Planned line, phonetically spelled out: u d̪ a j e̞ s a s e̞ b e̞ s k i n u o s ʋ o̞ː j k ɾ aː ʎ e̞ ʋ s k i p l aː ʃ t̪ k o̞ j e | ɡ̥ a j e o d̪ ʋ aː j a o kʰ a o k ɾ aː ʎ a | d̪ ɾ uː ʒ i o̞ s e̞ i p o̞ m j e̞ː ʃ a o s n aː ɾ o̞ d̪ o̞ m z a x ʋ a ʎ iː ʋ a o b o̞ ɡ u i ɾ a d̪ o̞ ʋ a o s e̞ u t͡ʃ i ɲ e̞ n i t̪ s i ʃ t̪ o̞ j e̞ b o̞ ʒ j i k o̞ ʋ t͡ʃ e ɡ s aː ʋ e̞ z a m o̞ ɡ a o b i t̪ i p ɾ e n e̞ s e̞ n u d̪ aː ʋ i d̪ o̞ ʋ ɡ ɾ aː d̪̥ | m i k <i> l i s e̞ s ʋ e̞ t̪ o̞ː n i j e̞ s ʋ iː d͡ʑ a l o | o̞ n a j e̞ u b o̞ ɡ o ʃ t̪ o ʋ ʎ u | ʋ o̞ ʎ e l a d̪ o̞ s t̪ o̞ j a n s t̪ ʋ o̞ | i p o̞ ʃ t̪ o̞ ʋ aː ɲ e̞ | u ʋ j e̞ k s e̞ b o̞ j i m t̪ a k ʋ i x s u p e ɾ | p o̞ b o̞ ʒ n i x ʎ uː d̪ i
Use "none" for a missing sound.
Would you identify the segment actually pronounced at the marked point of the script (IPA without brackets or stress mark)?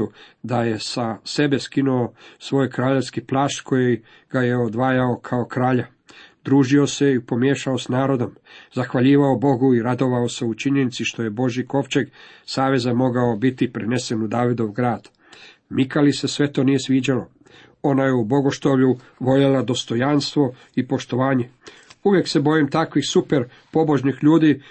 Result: a